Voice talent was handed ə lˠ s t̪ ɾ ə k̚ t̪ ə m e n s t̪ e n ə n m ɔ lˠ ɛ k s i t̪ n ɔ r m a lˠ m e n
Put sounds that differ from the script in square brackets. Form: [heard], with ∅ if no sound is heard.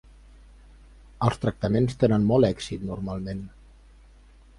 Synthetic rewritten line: ə lˠ s t̪ ɾ ə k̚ t̪ ə m e n s t̪ e n ə n m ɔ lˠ ɛ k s i t̪ n [u] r m a lˠ m e n